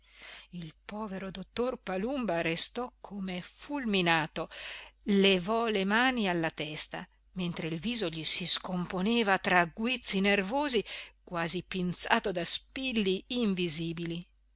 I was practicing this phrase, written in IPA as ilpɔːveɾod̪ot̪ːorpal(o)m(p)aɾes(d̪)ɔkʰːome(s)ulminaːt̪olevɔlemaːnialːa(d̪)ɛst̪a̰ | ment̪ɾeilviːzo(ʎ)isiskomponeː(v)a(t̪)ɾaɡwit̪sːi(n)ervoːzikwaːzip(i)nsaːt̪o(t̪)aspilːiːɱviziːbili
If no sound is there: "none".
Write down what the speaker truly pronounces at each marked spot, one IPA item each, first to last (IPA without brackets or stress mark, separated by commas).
u, b, t̪, f, t̪, ʎ, v, t̪, n, i, d̪